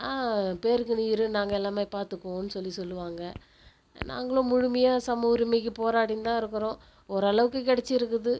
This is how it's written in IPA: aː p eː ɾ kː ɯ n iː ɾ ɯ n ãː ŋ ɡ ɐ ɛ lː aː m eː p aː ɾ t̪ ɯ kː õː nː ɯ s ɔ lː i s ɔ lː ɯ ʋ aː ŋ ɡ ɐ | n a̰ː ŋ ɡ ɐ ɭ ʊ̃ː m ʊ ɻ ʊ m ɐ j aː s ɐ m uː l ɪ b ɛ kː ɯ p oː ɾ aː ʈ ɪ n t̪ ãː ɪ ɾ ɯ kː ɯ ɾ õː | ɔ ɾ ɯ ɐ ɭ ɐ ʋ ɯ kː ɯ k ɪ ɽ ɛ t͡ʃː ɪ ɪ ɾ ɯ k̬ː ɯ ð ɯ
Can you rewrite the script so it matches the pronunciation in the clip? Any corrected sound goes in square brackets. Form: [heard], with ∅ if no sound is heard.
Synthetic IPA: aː p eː ɾ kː ɯ n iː ɾ ɯ n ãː ŋ ɡ ɐ ɛ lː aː m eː p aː ɾ t̪ ɯ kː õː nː ɯ s ɔ lː i s ɔ lː ɯ ʋ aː ŋ ɡ ɐ | n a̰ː ŋ ɡ ɐ ɭ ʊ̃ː m ʊ ɻ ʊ m ɐ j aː s ɐ m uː [ɾ] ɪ [m] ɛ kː ɯ p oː ɾ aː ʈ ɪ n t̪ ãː ɪ ɾ ɯ kː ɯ ɾ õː | ɔ ɾ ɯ ɐ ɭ ɐ ʋ ɯ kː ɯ k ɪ ɽ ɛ t͡ʃː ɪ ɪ ɾ ɯ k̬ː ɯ ð ɯ